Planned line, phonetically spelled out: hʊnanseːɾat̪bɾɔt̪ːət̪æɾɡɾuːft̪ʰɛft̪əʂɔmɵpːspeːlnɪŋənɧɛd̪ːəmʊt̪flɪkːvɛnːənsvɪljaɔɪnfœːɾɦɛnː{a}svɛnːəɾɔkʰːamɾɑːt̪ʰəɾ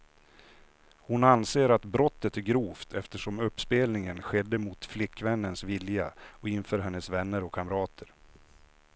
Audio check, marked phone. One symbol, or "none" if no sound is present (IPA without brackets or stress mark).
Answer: ə